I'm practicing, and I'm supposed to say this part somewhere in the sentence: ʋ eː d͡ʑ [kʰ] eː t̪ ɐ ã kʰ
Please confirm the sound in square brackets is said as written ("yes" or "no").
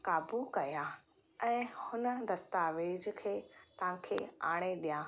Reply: yes